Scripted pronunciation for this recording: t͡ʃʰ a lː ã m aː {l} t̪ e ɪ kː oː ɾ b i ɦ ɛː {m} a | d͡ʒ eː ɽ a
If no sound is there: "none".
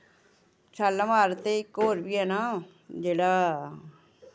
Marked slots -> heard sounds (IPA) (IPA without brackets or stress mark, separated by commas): ɾ, n